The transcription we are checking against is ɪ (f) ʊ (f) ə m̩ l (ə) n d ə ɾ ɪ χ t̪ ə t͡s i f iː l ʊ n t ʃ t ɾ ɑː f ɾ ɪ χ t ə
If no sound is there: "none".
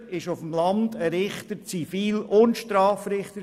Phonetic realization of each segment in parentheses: ʃ, f, ɑ

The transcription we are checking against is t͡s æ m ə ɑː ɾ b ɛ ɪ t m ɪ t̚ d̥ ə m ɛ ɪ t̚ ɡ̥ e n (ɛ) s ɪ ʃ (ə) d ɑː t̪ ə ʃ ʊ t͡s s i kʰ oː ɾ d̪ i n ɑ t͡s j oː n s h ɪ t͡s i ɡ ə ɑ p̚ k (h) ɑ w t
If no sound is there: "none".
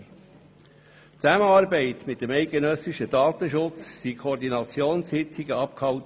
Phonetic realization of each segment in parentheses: œ, ə, h

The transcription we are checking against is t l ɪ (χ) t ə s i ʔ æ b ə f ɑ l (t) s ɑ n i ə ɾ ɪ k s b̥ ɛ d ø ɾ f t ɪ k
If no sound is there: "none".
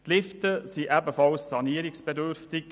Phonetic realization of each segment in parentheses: f, s

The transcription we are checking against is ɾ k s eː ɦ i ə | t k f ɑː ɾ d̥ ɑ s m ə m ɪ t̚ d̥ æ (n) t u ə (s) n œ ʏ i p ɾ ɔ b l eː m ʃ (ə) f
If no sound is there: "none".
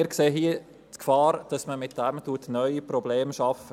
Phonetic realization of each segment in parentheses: m, t, ɑ

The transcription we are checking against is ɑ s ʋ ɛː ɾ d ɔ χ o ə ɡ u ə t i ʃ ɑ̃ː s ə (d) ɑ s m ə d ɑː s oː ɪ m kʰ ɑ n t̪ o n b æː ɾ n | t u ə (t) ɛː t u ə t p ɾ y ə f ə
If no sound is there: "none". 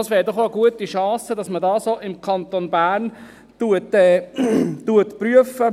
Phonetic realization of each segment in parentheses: d, t

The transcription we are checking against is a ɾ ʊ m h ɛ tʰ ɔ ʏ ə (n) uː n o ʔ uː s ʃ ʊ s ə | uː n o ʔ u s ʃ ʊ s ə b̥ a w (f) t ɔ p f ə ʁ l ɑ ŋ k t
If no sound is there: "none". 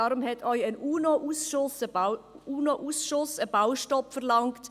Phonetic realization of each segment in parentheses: n, ʃ

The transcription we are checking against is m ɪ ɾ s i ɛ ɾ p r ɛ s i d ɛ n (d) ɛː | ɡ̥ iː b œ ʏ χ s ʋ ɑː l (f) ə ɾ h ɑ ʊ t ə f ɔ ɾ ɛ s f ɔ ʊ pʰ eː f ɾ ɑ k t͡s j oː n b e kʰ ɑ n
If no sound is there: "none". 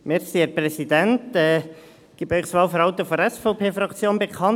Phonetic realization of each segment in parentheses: t, f

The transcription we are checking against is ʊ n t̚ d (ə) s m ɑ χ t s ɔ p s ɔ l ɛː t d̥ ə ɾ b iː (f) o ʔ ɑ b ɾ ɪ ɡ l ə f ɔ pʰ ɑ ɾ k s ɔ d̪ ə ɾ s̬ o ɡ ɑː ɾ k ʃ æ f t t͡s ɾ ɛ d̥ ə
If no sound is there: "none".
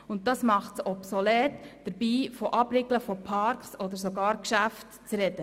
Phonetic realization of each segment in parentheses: ɑ, f

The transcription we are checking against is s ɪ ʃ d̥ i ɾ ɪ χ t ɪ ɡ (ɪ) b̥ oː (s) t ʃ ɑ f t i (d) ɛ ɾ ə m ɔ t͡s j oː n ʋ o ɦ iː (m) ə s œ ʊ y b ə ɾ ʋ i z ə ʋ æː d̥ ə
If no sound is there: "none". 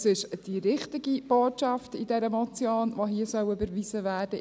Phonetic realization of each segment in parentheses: i, none, d, none

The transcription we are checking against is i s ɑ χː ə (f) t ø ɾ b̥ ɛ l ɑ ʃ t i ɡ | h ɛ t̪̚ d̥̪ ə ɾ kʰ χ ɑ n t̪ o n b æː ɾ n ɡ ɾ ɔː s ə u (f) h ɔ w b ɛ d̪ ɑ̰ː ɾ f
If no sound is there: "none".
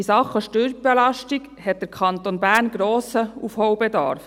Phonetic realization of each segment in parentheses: ʃ, f

